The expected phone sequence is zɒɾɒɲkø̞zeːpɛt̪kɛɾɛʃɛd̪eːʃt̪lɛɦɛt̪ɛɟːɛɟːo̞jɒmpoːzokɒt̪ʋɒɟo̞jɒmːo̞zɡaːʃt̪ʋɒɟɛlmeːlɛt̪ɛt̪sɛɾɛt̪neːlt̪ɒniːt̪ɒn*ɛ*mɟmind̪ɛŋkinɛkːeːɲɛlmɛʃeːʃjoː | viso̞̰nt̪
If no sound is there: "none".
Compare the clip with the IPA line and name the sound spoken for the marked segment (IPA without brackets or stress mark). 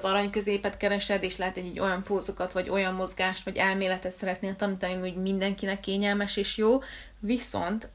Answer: i